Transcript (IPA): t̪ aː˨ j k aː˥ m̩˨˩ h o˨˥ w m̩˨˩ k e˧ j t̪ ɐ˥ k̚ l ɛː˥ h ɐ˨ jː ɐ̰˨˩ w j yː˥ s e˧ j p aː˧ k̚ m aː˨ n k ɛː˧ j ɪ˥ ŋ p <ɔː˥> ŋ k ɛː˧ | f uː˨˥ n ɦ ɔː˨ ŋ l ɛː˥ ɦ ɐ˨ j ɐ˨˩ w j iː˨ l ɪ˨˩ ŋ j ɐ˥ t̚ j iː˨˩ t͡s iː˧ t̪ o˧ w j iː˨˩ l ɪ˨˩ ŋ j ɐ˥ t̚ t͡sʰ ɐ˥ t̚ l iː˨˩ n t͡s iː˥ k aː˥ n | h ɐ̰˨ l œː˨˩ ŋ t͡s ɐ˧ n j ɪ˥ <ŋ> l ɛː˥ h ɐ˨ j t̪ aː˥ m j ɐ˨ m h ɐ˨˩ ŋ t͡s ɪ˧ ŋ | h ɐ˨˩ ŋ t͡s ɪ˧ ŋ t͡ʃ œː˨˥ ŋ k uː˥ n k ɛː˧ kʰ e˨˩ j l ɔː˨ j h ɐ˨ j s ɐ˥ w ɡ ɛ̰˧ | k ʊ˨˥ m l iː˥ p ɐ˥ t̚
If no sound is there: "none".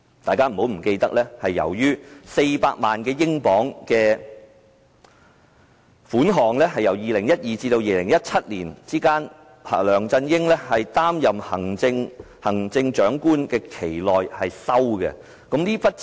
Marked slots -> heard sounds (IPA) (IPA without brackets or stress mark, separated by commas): ɔː˨˥, ŋ